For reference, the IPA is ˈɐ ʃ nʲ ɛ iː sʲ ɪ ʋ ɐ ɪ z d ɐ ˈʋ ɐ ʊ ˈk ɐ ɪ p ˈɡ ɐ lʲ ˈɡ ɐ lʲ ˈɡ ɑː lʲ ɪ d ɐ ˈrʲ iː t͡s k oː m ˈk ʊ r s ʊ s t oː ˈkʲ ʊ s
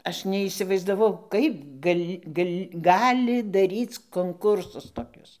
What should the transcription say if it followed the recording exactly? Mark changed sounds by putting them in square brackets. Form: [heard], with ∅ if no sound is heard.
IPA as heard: ˈɐ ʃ nʲ ɛ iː sʲ ɪ ʋ ɐ ɪ z d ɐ ˈʋ ɐ ʊ ˈk ɐ ɪ p ˈɡ ɐ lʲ ˈɡ ɐ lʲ ˈɡ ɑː lʲ ɪ d ɐ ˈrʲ iː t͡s k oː [ŋ] ˈk ʊ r s ʊ s t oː ˈkʲ ʊ s